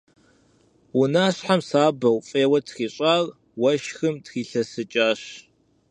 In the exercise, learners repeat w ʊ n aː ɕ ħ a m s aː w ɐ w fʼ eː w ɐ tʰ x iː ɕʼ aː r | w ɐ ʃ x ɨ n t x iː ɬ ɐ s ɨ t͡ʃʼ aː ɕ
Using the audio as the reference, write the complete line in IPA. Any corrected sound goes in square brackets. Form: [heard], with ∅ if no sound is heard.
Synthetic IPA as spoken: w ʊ n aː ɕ ħ a m s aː [b] ɐ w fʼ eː w ɐ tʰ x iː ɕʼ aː r | w ɐ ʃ x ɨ [m] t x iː ɬ ɐ s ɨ t͡ʃʼ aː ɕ